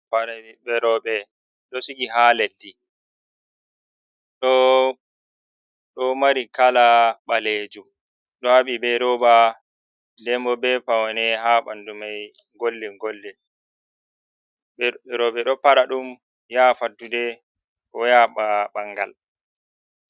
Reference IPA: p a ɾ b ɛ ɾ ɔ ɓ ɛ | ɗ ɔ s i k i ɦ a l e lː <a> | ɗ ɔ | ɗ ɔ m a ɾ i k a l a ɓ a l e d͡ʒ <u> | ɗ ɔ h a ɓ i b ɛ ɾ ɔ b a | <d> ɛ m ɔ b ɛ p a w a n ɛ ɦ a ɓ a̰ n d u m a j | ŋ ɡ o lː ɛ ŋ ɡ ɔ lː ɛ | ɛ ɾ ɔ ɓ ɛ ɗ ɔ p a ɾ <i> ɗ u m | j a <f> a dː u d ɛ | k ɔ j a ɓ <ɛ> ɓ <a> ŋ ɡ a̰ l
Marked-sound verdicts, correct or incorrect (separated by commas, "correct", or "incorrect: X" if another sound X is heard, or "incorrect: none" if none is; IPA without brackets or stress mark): incorrect: i, correct, correct, incorrect: a, correct, incorrect: a, correct